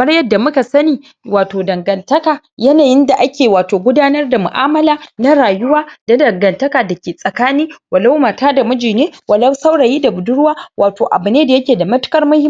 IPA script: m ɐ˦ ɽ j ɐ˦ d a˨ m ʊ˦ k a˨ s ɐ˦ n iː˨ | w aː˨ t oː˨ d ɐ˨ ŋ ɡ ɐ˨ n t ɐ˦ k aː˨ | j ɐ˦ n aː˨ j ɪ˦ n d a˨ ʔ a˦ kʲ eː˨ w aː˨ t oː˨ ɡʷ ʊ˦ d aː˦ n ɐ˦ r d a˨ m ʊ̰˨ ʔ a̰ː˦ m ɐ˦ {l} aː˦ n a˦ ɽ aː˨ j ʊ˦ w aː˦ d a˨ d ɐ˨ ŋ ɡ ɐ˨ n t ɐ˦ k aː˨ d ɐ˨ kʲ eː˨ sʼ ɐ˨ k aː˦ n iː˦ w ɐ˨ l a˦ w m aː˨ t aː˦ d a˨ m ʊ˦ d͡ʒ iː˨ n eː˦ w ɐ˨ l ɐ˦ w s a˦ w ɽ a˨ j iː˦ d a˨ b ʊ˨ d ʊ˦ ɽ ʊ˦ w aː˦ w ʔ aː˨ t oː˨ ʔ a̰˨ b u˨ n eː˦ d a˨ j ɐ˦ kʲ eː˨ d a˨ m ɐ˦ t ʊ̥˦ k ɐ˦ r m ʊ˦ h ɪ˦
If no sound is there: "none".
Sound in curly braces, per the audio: l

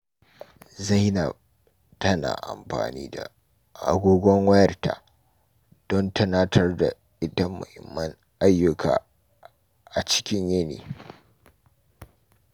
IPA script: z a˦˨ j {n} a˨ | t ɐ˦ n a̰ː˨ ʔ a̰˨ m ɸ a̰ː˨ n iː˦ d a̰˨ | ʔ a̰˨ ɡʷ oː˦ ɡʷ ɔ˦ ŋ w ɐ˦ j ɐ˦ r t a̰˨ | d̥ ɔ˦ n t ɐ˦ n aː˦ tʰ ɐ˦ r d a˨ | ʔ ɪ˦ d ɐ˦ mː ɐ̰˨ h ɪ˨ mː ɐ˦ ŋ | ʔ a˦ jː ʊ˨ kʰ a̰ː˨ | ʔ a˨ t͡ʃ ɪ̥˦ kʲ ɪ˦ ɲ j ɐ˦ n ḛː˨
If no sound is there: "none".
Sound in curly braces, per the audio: n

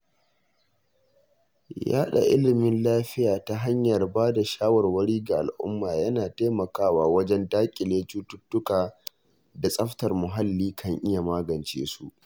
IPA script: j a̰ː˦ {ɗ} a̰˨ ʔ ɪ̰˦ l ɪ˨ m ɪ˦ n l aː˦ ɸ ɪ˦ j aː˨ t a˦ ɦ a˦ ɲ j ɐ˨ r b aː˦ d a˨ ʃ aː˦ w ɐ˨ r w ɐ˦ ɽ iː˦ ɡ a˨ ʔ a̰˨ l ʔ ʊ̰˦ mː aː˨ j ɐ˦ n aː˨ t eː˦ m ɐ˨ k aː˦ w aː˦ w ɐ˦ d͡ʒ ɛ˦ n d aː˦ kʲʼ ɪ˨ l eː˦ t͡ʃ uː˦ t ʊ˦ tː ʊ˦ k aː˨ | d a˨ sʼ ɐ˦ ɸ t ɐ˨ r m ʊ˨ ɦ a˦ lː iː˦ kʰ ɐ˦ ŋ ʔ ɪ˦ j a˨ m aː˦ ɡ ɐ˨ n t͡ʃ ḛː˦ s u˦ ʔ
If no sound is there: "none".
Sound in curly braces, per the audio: ɗ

